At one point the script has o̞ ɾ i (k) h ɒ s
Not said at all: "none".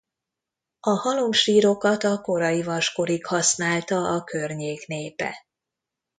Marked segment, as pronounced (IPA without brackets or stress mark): k